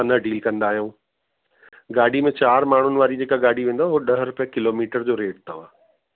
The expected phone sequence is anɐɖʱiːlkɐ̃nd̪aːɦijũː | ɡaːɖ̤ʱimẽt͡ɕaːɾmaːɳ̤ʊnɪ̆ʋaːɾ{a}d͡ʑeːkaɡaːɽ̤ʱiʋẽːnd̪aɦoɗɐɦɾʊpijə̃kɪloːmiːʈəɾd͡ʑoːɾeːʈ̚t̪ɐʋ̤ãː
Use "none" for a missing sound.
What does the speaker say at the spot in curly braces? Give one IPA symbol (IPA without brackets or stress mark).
i